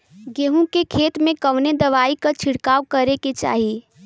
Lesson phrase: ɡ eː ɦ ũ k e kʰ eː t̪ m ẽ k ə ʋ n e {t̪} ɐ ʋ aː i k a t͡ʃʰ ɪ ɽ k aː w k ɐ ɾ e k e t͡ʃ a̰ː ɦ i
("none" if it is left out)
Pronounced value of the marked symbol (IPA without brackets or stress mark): d̪